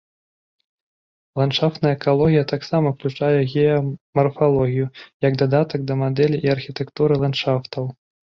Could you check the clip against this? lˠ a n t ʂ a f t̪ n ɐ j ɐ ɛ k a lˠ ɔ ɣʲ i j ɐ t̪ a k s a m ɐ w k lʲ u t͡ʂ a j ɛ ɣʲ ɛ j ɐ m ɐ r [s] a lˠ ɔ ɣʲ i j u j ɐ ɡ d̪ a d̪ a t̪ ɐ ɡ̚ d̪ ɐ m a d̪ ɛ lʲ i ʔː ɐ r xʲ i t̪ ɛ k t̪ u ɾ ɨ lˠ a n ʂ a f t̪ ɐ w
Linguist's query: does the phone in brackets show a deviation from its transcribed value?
yes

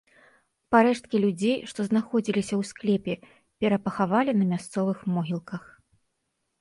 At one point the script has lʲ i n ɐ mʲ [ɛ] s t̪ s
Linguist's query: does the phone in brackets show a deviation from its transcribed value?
yes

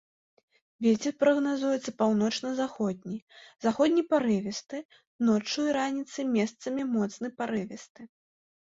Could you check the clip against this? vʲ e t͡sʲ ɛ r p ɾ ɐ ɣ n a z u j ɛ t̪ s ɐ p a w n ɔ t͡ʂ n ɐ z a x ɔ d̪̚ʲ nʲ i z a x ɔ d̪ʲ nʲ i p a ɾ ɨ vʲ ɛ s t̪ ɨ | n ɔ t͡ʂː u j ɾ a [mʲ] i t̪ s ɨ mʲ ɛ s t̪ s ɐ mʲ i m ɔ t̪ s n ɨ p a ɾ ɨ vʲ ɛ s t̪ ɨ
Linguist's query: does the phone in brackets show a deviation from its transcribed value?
yes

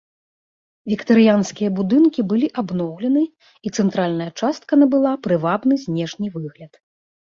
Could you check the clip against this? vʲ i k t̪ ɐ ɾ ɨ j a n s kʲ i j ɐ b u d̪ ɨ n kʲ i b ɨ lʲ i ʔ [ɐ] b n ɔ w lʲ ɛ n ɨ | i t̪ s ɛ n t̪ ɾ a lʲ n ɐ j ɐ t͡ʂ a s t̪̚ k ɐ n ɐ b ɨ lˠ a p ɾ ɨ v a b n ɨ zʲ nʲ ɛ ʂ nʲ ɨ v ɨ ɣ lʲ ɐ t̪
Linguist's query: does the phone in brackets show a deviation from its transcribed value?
yes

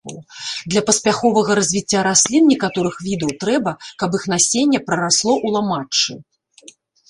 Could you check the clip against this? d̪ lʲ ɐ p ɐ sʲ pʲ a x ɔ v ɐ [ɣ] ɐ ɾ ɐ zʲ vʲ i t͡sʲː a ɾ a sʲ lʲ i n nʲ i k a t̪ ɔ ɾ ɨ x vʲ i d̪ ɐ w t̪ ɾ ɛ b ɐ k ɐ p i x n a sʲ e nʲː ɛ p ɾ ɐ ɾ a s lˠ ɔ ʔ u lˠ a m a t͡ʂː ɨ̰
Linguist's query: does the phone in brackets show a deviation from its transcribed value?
no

